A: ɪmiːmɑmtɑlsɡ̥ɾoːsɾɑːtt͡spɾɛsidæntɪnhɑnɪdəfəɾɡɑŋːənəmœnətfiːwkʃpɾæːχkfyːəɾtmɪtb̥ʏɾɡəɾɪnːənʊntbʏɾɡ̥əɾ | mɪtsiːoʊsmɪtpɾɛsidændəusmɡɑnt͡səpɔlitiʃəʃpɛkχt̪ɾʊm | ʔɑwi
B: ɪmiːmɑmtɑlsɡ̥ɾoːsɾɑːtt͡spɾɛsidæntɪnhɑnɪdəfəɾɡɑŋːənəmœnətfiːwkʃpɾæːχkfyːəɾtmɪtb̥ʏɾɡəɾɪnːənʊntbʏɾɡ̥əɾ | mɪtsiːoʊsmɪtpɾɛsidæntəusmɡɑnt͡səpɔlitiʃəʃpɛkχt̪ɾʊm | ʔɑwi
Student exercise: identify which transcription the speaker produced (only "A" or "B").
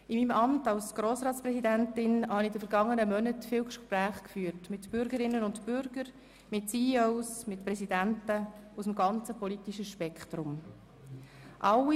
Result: B